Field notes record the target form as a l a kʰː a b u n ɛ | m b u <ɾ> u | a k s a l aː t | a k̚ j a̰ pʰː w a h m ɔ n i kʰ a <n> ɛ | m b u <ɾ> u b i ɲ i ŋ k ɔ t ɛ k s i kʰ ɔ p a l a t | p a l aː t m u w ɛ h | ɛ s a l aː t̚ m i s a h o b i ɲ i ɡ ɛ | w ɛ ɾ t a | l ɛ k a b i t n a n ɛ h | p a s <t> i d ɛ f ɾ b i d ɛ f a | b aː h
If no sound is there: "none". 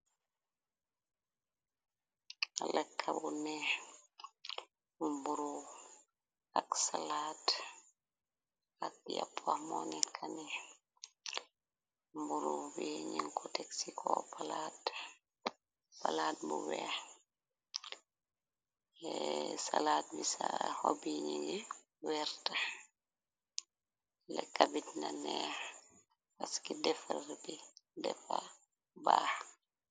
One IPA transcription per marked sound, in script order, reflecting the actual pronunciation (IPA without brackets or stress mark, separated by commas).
ɾ, n, ɾ, k